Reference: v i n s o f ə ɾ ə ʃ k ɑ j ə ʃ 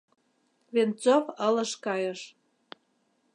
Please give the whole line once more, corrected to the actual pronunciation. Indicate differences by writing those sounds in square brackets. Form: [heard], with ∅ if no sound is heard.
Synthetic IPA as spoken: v [e] n [t͡s] o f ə [l] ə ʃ k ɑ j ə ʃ